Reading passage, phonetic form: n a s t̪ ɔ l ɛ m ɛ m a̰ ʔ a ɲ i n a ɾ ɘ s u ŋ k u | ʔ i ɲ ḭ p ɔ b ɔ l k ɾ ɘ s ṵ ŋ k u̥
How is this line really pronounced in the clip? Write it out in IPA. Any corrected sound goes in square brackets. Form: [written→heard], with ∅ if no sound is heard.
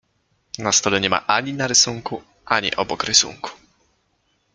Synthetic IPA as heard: n a s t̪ ɔ l ɛ [m→ɲ] ɛ m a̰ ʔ a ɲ i n a ɾ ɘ s u ŋ k u | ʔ [i→a] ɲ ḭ [p→ʔ] ɔ b ɔ [l→∅] k ɾ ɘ s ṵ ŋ k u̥